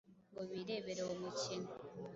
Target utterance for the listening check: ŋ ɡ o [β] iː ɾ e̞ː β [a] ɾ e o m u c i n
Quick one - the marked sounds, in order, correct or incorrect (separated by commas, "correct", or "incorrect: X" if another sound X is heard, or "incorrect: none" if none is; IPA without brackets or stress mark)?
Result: correct, incorrect: e